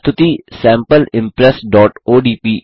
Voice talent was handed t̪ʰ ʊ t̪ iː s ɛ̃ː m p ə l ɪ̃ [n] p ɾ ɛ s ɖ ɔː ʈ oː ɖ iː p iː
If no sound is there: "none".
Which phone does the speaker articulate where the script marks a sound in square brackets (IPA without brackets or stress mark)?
m